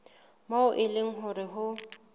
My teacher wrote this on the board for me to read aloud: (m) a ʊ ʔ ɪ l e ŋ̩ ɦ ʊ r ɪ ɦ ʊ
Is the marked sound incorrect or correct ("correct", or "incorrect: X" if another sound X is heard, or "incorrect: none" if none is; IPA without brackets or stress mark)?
correct